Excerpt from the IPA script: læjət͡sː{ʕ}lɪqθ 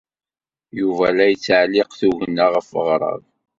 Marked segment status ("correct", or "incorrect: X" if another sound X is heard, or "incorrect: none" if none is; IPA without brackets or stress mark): correct